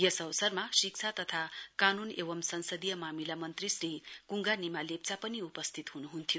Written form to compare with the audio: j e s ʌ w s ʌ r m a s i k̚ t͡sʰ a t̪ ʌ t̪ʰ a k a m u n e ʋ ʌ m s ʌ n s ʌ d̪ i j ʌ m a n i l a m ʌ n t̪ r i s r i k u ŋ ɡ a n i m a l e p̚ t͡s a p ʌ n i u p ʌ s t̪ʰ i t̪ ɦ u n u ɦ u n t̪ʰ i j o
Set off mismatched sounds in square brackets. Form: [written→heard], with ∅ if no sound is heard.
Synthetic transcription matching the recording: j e s ʌ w s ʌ r m a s i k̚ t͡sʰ a t̪ ʌ t̪ʰ a k a [m→n] u n e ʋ ʌ m s ʌ n s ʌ d̪ i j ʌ m a [n→m] i l a m ʌ n t̪ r i s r i k u ŋ ɡ a n i m a l e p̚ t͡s a p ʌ n i u p ʌ s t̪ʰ i t̪ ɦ u n u ɦ u n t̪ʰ i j o